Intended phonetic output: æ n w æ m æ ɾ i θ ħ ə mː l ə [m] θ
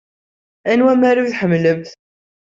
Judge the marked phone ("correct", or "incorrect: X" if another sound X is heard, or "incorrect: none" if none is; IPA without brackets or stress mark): correct